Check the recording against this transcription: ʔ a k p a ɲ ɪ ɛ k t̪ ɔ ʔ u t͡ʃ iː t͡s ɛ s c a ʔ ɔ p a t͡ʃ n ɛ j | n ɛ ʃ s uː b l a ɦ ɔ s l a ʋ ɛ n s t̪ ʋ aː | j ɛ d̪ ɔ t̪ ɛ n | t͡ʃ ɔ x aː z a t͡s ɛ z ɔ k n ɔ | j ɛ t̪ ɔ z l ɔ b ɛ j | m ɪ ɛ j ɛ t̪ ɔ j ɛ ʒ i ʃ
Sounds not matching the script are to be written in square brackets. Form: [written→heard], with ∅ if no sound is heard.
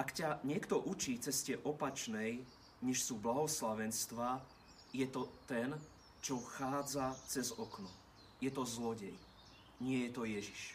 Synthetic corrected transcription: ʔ a k [p→c] a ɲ ɪ ɛ k t̪ ɔ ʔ u t͡ʃ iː t͡s ɛ s c [a→ɛ] ʔ ɔ p a t͡ʃ n ɛ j | [n→ɲ] ɛ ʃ s uː b l a ɦ ɔ s l a ʋ ɛ n s t̪ ʋ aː | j ɛ [d̪→t̪] ɔ t̪ ɛ n | t͡ʃ ɔ x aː [z→d͡z] a t͡s ɛ z ɔ k n ɔ | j ɛ t̪ ɔ z l ɔ [b→ɟ] ɛ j | [m→ɲ] ɪ ɛ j ɛ t̪ ɔ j ɛ ʒ i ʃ